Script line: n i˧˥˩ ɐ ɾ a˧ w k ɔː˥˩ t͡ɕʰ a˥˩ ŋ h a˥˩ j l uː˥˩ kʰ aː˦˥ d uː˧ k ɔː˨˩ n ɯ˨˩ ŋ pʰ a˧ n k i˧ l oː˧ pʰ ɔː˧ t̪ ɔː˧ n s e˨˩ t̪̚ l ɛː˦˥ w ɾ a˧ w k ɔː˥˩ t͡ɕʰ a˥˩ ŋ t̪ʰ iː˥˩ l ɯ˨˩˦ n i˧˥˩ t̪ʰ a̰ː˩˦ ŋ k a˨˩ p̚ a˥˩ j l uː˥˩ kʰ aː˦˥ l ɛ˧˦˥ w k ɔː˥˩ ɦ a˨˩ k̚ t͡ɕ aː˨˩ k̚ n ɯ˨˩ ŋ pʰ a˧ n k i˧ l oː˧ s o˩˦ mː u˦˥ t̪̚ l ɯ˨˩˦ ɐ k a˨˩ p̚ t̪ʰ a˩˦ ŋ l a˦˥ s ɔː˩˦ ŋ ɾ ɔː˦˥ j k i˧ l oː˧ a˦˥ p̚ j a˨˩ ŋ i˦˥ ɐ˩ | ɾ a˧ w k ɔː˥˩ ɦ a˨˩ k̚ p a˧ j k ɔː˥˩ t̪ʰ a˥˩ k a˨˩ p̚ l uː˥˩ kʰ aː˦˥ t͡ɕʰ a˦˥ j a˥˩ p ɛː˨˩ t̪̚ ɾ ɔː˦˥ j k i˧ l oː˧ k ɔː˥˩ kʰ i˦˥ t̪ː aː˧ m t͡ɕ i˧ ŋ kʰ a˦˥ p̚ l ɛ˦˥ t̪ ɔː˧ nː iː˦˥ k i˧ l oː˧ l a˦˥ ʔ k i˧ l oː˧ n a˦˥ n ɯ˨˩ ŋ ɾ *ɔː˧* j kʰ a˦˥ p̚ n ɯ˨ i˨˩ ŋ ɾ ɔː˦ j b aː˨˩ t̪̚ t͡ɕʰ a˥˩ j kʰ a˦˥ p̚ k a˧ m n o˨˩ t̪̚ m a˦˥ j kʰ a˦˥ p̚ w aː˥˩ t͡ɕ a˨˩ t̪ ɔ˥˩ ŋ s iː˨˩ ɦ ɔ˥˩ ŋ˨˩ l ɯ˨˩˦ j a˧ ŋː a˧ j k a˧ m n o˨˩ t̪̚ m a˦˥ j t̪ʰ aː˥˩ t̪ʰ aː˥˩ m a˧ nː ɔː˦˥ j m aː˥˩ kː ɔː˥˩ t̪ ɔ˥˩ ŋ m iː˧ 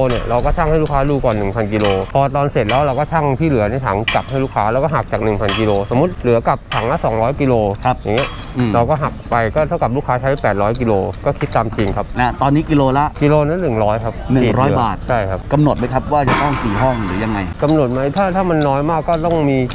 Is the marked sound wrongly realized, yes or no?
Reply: yes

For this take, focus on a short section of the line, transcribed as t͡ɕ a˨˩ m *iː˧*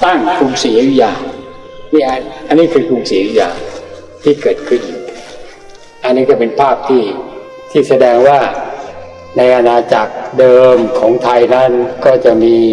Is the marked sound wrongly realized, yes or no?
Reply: no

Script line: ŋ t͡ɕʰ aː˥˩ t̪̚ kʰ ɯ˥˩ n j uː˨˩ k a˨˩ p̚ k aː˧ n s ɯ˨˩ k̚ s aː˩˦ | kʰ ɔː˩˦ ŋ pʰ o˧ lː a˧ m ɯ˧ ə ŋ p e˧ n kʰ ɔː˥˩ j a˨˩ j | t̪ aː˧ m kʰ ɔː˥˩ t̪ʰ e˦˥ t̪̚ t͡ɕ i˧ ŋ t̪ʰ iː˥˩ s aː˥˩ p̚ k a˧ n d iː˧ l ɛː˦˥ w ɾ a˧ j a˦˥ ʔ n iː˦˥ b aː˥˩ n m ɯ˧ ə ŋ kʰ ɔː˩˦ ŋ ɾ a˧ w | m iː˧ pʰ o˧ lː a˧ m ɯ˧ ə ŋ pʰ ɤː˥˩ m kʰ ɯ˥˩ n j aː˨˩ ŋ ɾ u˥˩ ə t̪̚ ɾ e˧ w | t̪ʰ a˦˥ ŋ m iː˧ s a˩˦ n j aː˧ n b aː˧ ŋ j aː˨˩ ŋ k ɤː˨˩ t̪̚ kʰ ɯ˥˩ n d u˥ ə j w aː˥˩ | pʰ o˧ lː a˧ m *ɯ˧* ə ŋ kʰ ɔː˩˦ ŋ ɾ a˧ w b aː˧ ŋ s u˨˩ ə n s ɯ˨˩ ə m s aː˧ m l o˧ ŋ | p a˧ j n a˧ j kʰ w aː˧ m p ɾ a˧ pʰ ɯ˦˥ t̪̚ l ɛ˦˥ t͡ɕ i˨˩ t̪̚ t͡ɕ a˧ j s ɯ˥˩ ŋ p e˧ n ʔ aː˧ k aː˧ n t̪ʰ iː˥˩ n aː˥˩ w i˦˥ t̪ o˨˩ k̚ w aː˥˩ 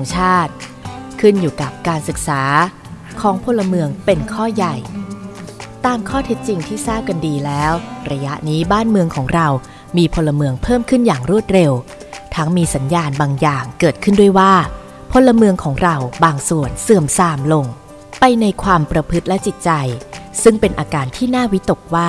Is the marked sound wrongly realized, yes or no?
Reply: no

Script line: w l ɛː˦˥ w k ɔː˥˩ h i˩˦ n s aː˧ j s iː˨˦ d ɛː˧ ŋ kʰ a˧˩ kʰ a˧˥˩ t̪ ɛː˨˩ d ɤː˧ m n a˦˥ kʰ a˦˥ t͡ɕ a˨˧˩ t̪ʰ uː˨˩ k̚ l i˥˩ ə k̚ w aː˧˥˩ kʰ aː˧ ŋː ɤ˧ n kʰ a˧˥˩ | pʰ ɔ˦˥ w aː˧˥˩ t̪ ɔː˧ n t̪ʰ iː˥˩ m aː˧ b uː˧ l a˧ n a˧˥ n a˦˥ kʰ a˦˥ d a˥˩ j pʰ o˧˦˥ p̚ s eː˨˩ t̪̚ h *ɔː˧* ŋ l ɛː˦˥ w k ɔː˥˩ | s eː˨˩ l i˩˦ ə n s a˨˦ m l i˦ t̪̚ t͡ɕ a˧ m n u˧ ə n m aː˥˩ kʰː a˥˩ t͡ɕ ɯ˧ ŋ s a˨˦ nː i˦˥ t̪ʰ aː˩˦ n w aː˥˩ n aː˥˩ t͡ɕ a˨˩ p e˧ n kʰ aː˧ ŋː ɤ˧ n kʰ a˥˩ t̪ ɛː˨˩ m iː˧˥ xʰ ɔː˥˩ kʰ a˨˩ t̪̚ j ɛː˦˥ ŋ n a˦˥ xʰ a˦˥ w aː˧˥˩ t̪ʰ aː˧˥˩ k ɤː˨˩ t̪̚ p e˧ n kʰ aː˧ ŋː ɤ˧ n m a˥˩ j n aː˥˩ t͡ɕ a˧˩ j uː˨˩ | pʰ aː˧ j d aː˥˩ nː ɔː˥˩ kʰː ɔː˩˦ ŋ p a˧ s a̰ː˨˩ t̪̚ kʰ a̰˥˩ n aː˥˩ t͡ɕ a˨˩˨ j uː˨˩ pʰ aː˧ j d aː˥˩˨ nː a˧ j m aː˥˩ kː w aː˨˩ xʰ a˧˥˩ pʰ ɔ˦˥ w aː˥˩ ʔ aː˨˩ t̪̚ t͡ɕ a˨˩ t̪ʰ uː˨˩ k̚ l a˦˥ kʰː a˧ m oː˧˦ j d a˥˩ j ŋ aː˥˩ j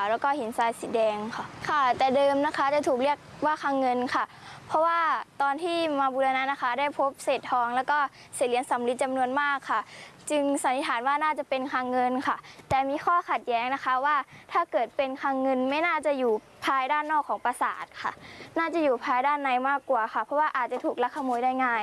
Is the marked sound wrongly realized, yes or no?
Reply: no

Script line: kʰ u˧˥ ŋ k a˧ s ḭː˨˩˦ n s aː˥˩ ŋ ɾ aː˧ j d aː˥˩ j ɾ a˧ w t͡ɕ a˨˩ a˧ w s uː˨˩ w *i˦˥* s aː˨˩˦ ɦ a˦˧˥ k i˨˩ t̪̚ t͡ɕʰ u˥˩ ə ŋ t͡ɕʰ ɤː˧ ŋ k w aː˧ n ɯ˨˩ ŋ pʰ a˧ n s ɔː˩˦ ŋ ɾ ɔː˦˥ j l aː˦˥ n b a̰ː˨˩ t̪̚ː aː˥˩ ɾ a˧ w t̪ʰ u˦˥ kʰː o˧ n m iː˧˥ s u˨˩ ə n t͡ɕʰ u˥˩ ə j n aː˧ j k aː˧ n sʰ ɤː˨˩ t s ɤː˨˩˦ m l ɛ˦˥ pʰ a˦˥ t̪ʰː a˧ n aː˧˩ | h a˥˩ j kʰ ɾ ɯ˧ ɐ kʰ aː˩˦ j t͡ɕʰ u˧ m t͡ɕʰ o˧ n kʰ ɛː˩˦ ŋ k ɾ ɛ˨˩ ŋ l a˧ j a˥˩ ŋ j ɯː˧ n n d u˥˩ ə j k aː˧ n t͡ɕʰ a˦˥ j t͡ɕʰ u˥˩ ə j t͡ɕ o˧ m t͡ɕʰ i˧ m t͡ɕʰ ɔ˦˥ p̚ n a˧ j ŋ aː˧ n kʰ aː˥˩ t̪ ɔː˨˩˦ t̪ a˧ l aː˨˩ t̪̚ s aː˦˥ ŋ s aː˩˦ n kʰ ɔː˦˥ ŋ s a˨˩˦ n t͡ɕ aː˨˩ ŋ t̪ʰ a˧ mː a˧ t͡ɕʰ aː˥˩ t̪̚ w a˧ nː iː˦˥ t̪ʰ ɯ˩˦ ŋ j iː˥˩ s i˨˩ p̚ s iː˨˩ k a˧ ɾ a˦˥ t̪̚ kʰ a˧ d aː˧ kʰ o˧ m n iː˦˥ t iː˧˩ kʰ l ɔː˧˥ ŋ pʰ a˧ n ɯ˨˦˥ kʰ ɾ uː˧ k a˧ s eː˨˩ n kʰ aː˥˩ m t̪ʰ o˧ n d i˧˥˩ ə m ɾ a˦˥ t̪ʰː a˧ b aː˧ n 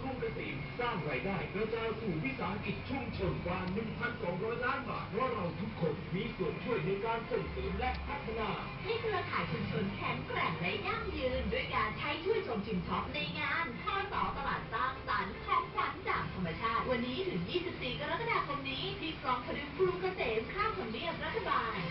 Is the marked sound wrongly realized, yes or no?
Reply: no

